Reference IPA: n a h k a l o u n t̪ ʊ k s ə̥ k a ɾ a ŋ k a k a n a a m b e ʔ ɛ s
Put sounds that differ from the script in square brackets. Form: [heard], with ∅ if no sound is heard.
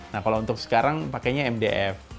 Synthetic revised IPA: n a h k a l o u n t̪ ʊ k s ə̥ k a ɾ a ŋ [p] a k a [ɲ] a [ɛ] m [d] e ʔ ɛ [f]